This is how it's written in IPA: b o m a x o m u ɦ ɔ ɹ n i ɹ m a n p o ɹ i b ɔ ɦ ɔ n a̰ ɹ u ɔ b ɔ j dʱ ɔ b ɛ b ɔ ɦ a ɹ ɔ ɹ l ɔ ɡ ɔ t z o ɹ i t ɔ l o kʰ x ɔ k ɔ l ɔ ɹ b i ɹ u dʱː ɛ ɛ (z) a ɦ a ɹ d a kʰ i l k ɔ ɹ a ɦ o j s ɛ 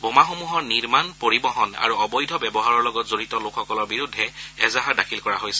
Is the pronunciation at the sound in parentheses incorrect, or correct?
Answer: correct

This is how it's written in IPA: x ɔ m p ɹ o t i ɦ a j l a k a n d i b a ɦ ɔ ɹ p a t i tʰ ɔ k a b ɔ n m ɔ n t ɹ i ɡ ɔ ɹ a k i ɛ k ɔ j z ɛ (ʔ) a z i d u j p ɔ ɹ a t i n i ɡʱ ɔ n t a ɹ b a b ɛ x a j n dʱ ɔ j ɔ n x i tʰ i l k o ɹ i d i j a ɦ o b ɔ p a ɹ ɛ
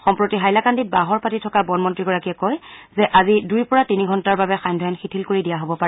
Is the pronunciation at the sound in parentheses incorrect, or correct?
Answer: correct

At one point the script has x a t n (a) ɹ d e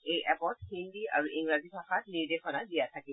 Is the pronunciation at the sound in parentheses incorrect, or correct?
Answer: incorrect: i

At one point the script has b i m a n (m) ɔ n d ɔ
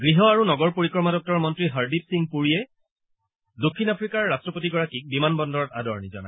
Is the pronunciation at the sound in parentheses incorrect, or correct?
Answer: incorrect: b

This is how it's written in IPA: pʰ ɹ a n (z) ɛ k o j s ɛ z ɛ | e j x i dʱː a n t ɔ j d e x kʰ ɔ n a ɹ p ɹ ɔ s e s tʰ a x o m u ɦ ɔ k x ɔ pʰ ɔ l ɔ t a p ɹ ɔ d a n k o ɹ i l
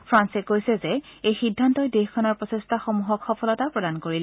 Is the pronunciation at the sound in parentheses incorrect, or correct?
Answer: incorrect: s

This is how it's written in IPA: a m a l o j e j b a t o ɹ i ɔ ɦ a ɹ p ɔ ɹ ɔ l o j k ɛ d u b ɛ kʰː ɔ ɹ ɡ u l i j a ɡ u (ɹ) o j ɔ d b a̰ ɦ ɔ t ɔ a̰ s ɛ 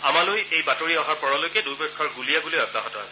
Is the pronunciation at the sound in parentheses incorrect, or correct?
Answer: incorrect: l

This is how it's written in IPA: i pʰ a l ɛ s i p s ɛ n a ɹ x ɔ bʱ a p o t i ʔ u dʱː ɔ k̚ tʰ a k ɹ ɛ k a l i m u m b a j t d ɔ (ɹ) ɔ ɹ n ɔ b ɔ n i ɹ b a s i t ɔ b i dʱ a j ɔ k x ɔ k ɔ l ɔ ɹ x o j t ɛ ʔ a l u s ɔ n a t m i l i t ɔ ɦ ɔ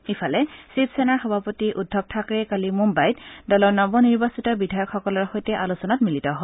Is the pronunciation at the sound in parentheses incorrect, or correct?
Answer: incorrect: l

